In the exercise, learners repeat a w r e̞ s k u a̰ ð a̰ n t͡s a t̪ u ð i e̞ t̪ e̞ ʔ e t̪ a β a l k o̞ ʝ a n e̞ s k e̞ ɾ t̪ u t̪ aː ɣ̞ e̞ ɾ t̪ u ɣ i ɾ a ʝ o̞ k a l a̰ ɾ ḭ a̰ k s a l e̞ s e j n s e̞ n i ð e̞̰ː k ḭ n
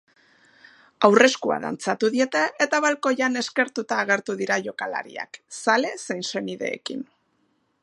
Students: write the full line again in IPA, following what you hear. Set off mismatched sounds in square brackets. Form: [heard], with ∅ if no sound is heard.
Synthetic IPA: a w r e̞ s k u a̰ ð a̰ n t͡s a t̪ u ð i e̞ t̪ e̞ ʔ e t̪ a β a l k o̞ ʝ a n e̞ s k e̞ ɾ t̪ u t̪ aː ɣ̞ e̞ ɾ t̪ u [ð] i ɾ a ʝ o̞ k a l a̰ ɾ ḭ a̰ k s a l e̞ s e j n s e̞ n i ð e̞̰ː k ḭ n